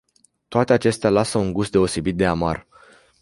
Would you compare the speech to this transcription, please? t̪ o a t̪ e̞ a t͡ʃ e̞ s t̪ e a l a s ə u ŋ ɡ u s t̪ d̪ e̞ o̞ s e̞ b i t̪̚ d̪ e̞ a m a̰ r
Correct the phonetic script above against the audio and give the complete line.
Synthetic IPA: t̪ o a t̪ e̞ a t͡ʃ e̞ s t̪ e a l a s ə u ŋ ɡ u s t̪ d̪ e̞ o̞ s e̞ b i t̪̚ d̪ e̞ a m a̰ r